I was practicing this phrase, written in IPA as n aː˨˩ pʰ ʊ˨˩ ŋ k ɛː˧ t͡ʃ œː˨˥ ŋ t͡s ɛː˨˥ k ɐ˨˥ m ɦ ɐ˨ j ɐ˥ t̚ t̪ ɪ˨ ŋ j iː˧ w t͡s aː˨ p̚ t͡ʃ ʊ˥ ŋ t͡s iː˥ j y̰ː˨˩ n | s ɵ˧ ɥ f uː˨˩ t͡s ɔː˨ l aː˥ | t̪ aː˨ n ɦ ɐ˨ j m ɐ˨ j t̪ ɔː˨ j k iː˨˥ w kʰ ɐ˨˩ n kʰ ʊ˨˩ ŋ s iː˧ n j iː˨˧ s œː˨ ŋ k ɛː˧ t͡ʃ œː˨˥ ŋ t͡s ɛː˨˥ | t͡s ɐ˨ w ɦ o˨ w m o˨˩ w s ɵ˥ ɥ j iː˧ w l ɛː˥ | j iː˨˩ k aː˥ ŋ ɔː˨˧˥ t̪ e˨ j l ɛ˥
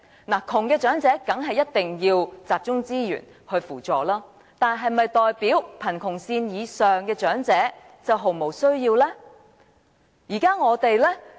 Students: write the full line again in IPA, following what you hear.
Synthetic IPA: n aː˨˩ kʰ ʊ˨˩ ŋ k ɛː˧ t͡ʃ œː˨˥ ŋ t͡s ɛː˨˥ k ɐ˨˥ ŋ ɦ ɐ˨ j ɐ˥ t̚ t̪ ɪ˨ ŋ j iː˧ w t͡s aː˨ p̚ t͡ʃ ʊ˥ ŋ t͡s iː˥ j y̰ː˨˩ n | h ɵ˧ ɥ f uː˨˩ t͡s ɔː˨ l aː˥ | t̪ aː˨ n ɦ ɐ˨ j m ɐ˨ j t̪ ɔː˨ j p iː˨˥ w pʰ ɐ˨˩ n kʰ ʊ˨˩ ŋ s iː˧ n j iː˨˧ s œː˨ ŋ k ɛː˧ t͡ʃ œː˨˥ ŋ t͡s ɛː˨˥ | t͡s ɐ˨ w ɦ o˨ w m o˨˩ w s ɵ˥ ɥ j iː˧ w l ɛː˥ | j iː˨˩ k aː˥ ŋ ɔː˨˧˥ t̪ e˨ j l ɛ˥